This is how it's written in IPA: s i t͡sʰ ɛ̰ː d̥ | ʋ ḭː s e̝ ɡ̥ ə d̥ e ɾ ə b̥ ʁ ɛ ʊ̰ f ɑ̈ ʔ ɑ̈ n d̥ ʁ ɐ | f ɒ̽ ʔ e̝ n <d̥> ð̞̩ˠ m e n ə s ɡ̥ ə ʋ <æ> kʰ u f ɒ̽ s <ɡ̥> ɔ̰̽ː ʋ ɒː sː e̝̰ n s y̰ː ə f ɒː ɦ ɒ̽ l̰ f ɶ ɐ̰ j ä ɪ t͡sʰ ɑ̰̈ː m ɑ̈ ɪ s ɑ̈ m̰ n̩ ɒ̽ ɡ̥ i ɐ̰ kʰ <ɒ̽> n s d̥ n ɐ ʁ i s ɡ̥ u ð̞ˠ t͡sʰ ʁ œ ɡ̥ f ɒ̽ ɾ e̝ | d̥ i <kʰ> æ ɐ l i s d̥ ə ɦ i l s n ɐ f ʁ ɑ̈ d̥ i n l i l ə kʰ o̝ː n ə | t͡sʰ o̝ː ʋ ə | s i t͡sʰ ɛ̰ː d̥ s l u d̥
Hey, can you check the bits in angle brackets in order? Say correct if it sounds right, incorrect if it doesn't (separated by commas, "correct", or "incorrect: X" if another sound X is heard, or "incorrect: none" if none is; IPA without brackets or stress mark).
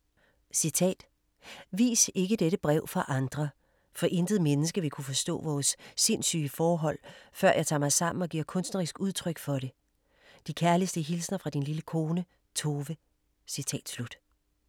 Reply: correct, incorrect: i, incorrect: d̥, incorrect: ɔ̽, correct